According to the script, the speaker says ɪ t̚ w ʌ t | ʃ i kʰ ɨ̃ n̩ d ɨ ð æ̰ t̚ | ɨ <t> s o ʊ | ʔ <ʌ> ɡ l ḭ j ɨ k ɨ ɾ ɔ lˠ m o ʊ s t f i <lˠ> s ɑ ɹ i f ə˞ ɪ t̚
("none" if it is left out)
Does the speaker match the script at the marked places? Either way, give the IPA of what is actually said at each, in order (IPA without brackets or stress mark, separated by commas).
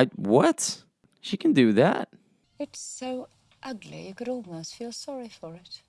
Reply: t, ʌ, lˠ